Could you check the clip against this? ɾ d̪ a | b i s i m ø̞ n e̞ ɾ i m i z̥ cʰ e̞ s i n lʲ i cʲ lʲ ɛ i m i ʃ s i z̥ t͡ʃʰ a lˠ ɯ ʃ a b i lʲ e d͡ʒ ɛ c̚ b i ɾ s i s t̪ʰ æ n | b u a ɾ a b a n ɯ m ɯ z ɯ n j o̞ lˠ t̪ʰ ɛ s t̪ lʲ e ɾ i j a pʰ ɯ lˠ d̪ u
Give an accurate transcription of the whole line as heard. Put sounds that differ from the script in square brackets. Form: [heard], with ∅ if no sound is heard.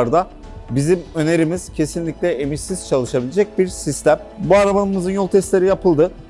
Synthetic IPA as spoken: ɾ d̪ a | b i [z] i m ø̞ n e̞ ɾ i m i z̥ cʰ e̞ s i n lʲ i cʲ lʲ ɛ [e] m i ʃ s i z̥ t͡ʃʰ a lˠ ɯ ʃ a b i lʲ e d͡ʒ ɛ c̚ b i ɾ s i s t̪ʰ æ [m] | b u a ɾ a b a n ɯ m ɯ z ɯ n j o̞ lˠ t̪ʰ ɛ s t̪ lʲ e ɾ i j a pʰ ɯ lˠ d̪ [ɯ]